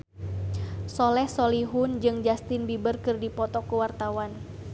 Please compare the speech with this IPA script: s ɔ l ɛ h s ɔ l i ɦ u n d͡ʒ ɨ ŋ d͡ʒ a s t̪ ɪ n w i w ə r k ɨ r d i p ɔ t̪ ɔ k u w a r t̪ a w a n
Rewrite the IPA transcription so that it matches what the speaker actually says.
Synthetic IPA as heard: s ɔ l ɛ h s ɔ l i ɦ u n d͡ʒ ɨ ŋ d͡ʒ a s t̪ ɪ n b i b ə r k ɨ r d i p ɔ t̪ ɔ k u w a r t̪ a w a n